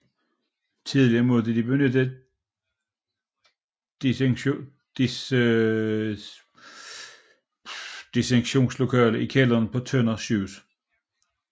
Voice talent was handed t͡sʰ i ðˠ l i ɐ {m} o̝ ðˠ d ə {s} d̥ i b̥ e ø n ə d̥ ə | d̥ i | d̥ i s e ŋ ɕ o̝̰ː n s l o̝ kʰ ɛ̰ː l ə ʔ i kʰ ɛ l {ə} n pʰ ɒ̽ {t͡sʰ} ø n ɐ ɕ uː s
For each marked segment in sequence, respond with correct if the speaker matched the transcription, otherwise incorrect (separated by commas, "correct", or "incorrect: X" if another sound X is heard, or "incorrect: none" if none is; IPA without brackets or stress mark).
correct, incorrect: none, incorrect: ɐ, correct